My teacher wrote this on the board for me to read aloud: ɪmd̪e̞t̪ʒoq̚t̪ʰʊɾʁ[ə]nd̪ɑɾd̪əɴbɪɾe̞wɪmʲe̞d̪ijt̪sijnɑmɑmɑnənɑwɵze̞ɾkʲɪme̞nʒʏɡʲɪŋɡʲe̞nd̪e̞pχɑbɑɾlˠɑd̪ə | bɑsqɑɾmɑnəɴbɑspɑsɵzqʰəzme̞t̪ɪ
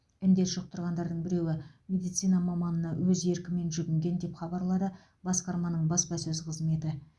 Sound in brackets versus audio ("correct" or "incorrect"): incorrect